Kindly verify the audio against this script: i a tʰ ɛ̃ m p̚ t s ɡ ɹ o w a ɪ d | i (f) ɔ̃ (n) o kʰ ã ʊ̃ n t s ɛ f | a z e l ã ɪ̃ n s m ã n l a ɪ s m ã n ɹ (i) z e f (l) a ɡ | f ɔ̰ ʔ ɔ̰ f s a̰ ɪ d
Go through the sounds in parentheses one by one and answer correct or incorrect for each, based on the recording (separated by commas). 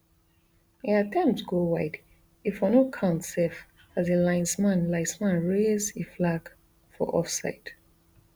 correct, correct, incorrect, correct